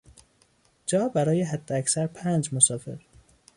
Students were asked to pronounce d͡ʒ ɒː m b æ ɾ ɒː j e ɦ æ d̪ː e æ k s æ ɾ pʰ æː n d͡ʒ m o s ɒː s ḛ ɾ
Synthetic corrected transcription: d͡ʒ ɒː b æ ɾ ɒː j e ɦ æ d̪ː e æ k s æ ɾ pʰ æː n d͡ʒ m o s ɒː f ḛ ɾ